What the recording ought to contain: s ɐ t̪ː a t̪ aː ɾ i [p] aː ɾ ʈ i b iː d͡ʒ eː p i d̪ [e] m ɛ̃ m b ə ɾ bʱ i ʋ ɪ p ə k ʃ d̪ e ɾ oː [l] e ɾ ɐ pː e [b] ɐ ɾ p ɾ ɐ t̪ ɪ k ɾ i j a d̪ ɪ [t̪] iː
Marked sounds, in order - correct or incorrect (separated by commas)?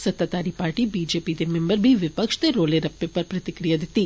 correct, correct, correct, incorrect, correct